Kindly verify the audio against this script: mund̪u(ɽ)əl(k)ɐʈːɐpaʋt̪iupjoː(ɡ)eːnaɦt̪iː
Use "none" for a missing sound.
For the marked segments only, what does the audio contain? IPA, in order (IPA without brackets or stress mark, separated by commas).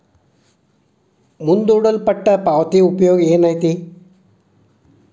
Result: ɽ, p, ɡ